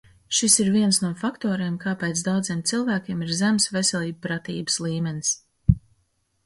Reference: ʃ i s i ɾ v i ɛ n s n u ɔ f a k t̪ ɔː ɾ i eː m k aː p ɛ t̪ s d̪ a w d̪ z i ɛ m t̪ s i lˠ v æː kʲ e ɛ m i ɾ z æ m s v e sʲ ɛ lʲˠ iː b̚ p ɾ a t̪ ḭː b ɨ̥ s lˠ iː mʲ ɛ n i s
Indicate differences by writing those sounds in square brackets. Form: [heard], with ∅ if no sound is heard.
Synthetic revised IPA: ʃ i s i ɾ v i ɛ n s n u ɔ f a k t̪ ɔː ɾ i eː m k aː p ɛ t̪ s d̪ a w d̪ z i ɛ m t̪ s i lˠ v æː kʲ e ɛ m i ɾ z æ m s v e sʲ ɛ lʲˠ iː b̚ p ɾ a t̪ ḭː b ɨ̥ s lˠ iː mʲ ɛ n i s

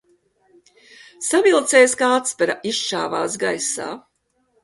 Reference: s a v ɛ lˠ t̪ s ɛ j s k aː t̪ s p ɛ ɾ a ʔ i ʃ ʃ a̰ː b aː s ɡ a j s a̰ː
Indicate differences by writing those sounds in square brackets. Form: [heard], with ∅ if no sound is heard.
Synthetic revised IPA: s a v [i] lˠ t̪ s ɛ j s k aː t̪ s p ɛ ɾ a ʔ i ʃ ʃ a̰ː [v] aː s ɡ a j s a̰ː

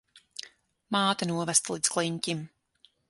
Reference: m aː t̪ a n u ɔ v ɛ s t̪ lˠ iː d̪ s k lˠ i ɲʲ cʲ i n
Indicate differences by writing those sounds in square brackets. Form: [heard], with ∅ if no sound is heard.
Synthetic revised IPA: m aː t̪ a n u ɔ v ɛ s t̪ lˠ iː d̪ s k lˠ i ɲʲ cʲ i [m]

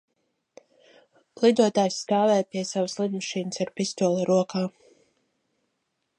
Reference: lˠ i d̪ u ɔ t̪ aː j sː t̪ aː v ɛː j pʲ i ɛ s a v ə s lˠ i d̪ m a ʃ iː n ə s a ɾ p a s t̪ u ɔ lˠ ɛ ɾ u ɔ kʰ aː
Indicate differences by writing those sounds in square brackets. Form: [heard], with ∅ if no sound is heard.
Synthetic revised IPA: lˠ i d̪ u ɔ t̪ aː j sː t̪ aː v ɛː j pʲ i ɛ s a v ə s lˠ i d̪ m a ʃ iː n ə s a ɾ p [i] s t̪ u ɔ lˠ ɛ ɾ u ɔ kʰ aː

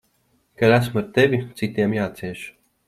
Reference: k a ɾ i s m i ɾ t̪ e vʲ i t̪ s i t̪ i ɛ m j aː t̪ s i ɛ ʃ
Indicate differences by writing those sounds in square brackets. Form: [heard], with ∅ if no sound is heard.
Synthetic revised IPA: k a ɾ [æ] s m [a] ɾ t̪ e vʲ i t̪ s i t̪ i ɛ m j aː t̪ s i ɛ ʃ

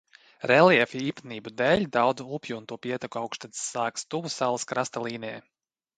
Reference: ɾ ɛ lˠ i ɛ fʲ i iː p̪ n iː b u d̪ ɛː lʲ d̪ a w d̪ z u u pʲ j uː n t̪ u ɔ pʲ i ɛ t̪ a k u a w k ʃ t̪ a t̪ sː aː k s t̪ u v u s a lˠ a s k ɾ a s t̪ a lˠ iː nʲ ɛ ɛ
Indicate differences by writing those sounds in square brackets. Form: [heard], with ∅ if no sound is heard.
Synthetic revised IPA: ɾ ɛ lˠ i ɛ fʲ i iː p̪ n iː b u d̪ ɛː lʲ d̪ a w d̪ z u u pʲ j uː n t̪ u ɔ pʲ i ɛ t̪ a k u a w k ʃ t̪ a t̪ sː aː k s t̪ u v u s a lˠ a s k ɾ a s t̪ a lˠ iː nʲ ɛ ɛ

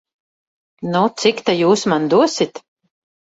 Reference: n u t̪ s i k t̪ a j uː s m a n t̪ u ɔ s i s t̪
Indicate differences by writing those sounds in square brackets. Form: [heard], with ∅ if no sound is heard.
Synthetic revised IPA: n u t̪ s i k t̪ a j uː s m a n [d̪] u ɔ s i [∅] t̪

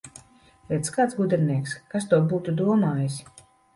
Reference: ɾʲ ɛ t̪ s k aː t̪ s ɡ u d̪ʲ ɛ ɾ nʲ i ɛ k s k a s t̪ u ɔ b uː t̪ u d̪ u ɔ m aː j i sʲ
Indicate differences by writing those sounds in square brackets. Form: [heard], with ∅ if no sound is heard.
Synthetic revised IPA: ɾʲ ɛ t̪ s k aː t̪ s ɡ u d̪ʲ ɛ ɾ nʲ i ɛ k s k a s t̪ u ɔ b uː t̪ u d̪ u ɔ m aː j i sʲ

